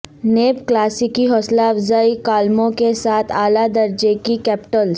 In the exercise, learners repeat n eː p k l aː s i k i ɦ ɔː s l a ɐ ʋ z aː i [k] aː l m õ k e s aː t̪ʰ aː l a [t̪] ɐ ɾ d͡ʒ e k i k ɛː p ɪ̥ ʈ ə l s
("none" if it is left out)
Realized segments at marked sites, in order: k, d̪

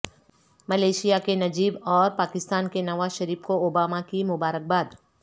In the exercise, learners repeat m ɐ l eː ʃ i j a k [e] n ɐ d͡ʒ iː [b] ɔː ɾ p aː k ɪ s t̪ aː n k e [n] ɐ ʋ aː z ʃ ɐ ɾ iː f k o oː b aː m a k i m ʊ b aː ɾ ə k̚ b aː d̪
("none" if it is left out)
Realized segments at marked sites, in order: e, b, n

